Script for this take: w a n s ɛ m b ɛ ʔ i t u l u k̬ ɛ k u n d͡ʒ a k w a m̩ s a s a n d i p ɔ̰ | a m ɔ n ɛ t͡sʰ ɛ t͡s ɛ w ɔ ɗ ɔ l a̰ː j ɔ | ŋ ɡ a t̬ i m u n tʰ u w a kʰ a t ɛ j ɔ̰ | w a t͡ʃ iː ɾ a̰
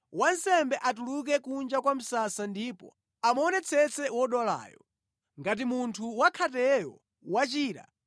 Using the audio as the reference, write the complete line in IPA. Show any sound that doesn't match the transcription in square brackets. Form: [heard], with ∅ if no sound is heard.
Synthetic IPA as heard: w a n s ɛ m b ɛ ʔ [a] t u l u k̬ ɛ k u n d͡ʒ a k w a m̩ s a s a n d i p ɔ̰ | a m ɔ n ɛ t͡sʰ ɛ t͡s ɛ w ɔ ɗ ɔ l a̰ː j ɔ | ŋ ɡ a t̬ i m u n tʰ u w a kʰ a t ɛ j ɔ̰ | w a t͡ʃ iː ɾ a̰